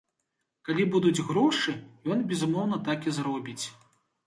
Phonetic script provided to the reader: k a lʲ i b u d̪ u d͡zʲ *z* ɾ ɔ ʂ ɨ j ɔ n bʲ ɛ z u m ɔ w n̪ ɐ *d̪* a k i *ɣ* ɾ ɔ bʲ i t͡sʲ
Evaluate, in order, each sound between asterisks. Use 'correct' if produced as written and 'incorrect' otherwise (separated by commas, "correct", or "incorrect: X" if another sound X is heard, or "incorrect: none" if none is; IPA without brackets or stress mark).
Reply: incorrect: ɣ, incorrect: t̪, incorrect: z